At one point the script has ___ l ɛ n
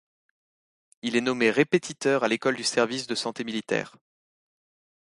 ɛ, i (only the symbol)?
i